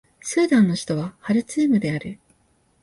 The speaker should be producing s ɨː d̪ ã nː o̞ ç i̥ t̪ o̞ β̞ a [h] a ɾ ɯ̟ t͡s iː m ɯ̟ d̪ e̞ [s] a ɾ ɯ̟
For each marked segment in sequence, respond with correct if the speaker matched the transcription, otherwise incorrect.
correct, incorrect: none

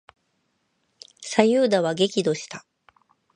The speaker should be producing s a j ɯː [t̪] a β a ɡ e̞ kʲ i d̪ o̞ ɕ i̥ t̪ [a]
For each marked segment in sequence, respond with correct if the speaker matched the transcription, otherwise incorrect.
incorrect: d̪, correct

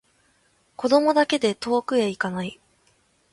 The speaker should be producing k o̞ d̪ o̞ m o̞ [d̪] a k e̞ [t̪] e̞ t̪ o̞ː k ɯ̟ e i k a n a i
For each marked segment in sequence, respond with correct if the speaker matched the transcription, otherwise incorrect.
correct, incorrect: d̪

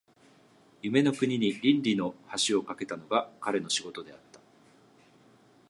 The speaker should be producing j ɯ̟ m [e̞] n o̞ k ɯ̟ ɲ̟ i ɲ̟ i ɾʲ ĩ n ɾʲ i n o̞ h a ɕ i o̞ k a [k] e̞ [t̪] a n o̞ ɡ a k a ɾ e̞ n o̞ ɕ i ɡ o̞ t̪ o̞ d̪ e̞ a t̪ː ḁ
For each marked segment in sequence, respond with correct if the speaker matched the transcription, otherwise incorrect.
correct, correct, correct

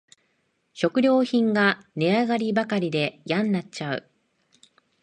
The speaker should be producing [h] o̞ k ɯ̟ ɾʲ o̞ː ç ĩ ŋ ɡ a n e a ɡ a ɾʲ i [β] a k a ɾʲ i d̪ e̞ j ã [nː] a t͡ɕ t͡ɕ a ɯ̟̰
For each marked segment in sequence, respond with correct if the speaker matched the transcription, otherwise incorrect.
incorrect: ɕ, incorrect: b, correct

